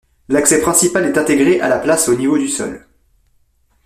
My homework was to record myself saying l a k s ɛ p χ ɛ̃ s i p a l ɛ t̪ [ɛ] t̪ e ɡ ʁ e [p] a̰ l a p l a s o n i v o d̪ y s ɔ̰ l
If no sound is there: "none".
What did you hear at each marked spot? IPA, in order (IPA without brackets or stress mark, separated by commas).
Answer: ɛ̃, ʔ